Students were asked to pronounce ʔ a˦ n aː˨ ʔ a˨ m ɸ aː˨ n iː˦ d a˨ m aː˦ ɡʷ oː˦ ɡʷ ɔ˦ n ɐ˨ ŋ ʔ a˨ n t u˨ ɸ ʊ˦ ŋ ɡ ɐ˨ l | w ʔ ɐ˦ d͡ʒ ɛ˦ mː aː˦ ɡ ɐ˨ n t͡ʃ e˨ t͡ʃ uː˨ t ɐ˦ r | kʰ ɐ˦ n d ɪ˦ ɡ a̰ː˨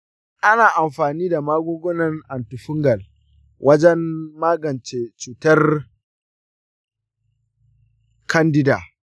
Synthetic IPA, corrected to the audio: ʔ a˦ n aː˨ ʔ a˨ m ɸ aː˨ n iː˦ d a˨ m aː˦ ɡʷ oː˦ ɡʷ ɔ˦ n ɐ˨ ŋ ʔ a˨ n t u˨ ɸ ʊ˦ ŋ ɡ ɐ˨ l | w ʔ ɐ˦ d͡ʒ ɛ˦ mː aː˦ ɡ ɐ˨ n t͡ʃ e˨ t͡ʃ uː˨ t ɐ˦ r | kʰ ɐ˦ n d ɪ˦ d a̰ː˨

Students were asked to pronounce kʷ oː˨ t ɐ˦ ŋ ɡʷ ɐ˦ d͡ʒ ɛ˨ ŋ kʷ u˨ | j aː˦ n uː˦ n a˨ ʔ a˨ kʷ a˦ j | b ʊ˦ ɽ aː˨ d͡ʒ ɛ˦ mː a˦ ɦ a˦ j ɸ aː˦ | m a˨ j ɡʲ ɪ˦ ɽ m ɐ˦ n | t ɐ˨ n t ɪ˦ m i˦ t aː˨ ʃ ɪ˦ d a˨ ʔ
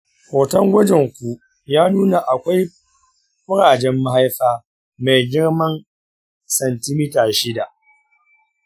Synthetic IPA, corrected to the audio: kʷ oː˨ t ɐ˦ ŋ ɡʷ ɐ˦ d͡ʒ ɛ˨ ŋ kʷ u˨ | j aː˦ n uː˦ n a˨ ʔ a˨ kʷ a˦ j | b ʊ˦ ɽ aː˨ d͡ʒ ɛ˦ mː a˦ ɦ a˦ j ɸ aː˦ | m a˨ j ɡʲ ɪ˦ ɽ m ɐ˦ n | s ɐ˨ n t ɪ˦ m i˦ t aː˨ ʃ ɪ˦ d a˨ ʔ

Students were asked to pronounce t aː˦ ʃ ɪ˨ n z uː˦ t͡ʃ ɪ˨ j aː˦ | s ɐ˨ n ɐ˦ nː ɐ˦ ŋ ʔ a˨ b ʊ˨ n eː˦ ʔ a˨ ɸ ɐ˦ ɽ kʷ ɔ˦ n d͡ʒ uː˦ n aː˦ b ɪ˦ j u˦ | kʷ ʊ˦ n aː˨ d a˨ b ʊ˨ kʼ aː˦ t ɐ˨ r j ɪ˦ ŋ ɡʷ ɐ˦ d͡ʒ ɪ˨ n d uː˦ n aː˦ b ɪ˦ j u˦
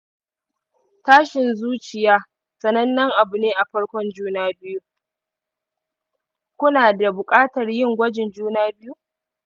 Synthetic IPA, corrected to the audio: t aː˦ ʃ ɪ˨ n z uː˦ t͡ʃ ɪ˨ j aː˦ | s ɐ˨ n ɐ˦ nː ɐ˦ ŋ ʔ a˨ b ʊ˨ n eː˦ ʔ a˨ ɸ ɐ˦ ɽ kʷ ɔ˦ n d͡ʒ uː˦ n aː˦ b ɪ˦ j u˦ | kʷ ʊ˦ n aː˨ d a˨ b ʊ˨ kʼ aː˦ t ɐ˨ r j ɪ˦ ŋ ɡʷ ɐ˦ d͡ʒ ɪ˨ n d͡ʒ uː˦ n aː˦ b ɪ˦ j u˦

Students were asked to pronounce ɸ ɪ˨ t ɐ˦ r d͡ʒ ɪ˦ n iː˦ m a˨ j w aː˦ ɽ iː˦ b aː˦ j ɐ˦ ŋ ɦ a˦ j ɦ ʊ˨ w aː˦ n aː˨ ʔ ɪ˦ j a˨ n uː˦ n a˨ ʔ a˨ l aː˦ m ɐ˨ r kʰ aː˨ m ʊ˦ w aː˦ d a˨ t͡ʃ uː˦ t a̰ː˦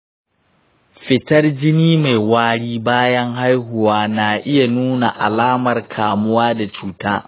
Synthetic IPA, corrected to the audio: ɸ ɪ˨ t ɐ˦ r d͡ʒ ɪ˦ n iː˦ m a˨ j w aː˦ ɽ iː˦ b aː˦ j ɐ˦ ŋ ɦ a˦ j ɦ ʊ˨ w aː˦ n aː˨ ʔ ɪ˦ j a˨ n uː˦ n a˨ ʔ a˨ l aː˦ m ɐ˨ r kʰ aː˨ m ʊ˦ w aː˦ d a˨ t͡ʃ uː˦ t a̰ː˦

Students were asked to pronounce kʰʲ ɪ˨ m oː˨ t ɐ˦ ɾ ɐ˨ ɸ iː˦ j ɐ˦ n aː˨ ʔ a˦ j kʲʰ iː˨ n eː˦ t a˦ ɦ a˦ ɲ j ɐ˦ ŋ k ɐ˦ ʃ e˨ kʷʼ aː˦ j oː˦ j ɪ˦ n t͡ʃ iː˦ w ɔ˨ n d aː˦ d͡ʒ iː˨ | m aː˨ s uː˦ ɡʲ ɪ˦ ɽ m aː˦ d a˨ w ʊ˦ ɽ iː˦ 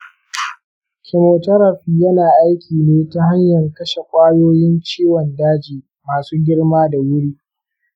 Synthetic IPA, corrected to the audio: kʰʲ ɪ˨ m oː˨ t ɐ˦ ɾ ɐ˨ ɸ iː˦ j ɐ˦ n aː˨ ʔ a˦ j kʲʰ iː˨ n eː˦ t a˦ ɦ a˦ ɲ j ɐ˨ ŋ k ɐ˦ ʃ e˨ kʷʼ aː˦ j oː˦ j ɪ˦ n t͡ʃ iː˦ w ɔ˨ n d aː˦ d͡ʒ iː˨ | m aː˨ s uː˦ ɡʲ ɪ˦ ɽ m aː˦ d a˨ w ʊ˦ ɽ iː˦

